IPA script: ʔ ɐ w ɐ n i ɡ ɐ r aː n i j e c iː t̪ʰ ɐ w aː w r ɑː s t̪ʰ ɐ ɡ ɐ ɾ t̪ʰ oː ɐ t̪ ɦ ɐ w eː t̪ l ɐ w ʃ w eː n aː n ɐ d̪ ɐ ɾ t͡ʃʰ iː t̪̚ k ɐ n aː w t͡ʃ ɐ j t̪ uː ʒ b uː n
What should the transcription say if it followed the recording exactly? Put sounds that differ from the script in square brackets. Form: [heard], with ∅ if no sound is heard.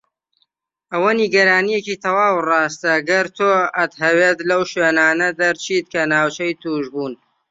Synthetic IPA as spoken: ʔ ɐ w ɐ n i ɡ ɐ [ɾ] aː n i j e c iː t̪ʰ ɐ w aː w r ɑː s [t̪] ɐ ɡ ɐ ɾ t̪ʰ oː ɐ t̪ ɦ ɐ w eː t̪ l ɐ w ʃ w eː n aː n ɐ d̪ ɐ ɾ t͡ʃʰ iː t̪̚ k ɐ n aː w t͡ʃ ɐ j t̪ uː ʒ b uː n